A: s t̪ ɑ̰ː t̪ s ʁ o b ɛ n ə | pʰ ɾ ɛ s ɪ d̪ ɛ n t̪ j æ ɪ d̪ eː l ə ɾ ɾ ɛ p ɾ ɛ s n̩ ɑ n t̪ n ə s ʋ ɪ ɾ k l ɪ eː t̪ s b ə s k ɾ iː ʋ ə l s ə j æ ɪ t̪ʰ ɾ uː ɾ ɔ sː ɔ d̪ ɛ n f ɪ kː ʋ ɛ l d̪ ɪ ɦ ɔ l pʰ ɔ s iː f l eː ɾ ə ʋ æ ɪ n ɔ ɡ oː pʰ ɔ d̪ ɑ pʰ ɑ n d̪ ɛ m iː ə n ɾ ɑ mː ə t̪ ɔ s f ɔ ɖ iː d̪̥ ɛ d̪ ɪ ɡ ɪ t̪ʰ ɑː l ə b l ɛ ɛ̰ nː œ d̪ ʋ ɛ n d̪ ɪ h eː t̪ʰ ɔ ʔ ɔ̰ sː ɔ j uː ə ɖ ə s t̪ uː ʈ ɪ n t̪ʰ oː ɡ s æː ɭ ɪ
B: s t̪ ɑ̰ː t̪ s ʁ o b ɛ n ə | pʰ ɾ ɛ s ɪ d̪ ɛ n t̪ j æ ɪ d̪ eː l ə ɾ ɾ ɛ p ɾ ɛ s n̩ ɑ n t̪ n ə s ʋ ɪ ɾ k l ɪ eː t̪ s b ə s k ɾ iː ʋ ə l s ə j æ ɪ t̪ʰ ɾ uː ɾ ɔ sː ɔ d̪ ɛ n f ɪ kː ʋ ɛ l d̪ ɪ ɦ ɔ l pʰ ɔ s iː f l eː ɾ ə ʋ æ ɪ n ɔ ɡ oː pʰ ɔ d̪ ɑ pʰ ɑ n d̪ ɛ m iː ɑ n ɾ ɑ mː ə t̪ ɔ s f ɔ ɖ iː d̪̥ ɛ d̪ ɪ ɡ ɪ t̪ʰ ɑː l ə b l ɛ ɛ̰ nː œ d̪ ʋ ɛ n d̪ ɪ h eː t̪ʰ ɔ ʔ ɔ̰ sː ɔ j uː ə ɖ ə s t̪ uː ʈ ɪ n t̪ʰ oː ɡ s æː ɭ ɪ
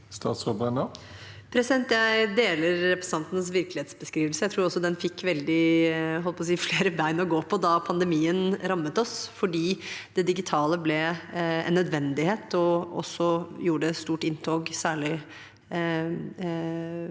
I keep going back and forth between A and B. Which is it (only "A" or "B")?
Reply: A